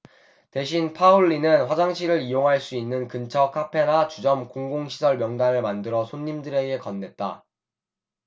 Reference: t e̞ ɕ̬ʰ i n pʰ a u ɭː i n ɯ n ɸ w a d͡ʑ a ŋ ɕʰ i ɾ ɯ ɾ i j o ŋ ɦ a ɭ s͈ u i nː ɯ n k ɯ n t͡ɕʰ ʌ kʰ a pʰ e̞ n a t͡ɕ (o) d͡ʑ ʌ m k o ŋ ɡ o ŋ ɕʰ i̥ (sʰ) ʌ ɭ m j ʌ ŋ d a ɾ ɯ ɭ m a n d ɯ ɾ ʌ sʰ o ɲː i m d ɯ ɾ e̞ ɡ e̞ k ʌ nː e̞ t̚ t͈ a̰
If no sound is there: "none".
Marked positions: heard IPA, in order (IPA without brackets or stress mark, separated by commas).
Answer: u, sʰ